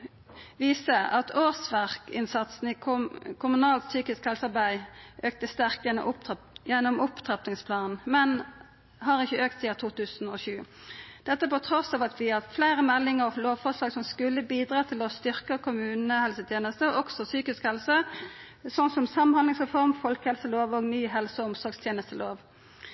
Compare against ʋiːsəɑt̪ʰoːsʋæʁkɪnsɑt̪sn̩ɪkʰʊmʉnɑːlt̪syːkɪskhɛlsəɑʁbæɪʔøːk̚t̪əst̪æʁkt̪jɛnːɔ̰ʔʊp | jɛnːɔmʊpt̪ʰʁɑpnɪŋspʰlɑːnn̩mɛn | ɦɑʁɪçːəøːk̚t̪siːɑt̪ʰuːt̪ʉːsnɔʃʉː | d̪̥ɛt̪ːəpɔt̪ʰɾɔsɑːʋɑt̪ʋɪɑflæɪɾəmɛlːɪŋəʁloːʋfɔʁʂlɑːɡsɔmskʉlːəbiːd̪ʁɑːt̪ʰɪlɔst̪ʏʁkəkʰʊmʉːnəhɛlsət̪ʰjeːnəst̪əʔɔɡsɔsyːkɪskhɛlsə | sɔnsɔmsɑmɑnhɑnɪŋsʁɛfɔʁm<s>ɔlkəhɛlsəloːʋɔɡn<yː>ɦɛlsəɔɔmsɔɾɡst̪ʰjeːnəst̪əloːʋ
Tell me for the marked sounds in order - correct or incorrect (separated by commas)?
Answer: incorrect, correct